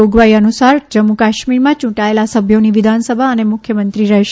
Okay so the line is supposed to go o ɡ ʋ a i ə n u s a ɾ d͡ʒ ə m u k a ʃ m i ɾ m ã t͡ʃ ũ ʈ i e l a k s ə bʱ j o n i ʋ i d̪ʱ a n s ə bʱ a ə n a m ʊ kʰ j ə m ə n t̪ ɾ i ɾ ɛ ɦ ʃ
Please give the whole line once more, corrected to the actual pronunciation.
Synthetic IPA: o ɡ ʋ a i ə n u s a ɾ d͡ʒ ə m u k a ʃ m i ɾ m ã t͡ʃ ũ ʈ a e l a s ə bʱ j o n i ʋ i d̪ʱ a n s ə bʱ a ə n e m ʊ kʰ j ə m ə n t̪ ɾ i ɾ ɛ ɦ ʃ

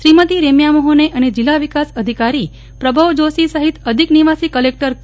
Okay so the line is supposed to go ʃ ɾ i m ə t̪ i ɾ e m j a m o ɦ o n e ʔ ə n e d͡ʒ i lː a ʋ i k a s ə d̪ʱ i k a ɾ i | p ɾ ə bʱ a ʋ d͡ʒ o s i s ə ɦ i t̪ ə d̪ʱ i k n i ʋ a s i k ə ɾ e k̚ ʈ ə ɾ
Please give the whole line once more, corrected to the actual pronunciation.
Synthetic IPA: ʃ ɾ i m ə t̪ i ɾ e m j a m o ɦ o n e ʔ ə n e d͡ʒ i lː a ʋ i k a s ə d̪ʱ i k a ɾ i | p ɾ ə bʱ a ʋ d͡ʒ o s i s ə ɦ i t̪ ə d̪ʱ i k n i ʋ a s i k ə l e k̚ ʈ ə ɾ

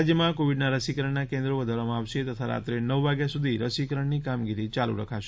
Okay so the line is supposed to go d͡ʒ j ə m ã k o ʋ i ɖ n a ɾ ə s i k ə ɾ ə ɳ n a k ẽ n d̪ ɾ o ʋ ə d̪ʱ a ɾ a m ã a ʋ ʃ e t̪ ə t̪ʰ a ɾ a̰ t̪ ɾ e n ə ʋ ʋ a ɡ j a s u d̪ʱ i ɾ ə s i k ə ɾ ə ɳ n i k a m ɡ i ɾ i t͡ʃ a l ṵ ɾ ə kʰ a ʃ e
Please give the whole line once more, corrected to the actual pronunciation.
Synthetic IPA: d͡ʒ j ə m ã k o ʋ i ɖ n a ɾ ə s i k ə ɾ ə ɳ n a k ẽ n d̪ ɾ o ʋ ə d̪ʱ a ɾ a m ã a ʋ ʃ e t̪ ə t̪ʰ a ɾ a̰ t̪ ɾ e n ə ʋ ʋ a ɡ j a s u d̪ʱ i ɾ ə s i k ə ɾ ə ɳ n i k a m ɡ i ɾ i t͡ʃ a l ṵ ɾ ə kʰ a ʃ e

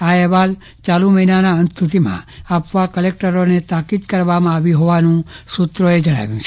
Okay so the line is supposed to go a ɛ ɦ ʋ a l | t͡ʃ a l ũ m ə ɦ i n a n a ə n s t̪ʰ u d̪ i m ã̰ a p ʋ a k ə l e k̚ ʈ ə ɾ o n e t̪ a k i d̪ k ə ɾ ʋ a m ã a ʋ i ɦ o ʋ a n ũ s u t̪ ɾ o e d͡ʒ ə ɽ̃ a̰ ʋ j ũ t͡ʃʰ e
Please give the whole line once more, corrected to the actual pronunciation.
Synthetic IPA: a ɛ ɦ ʋ a l | t͡ʃ a l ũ m ə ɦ i n a n a ə n s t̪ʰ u t̪ i m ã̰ a p ʋ a k ə l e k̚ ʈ ə ɾ o n e t̪ a k i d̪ k ə ɾ ʋ a m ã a ʋ i ɦ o ʋ a n ũ s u t̪ ɾ o e d͡ʒ ə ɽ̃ a̰ ʋ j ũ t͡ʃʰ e

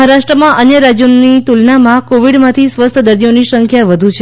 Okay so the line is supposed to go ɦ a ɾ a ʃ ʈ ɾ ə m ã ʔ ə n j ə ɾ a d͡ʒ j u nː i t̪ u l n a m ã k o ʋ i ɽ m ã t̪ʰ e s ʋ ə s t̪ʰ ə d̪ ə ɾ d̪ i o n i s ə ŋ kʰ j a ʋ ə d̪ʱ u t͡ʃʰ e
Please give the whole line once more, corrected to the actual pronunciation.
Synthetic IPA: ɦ a ɾ a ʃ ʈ ɾ ə m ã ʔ ə n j ə ɾ a d͡ʒ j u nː i t̪ u l n a m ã k o ʋ i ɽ m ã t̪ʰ i s ʋ ə s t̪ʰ ə d̪ ə ɾ d̪ i o n i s ə ŋ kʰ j a ʋ ə d̪ʱ u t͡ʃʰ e

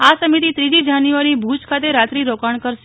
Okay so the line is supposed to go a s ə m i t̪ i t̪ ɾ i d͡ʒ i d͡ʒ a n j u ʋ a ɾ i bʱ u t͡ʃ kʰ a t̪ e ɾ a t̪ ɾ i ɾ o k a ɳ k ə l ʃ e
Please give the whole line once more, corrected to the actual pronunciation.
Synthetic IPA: a s ə m i t̪ i t̪ ɾ i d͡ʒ i d͡ʒ a n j u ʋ a ɾ i bʱ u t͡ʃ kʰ a t̪ e ɾ a t̪ ɾ i ɾ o k a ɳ k ə ɾ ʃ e

